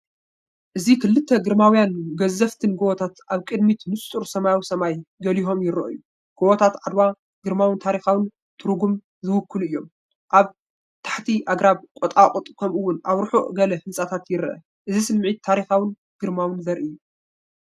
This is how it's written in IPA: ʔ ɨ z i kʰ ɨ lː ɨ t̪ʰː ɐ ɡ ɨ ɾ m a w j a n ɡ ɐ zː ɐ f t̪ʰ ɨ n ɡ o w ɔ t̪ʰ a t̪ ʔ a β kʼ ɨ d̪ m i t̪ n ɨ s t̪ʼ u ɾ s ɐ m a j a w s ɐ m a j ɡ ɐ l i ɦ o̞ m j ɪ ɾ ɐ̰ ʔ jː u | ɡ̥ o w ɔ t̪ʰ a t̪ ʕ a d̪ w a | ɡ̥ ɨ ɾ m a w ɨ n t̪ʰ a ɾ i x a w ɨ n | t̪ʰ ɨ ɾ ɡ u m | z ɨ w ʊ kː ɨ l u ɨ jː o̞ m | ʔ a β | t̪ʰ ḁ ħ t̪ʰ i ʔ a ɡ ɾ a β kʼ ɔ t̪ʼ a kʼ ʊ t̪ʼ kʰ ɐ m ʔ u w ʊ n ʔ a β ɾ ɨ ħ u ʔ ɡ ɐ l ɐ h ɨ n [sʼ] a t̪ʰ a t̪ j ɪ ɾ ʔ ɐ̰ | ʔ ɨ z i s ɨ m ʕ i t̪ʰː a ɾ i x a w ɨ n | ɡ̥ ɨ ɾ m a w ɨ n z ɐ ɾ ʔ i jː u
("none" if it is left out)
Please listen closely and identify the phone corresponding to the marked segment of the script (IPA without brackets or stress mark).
sʼ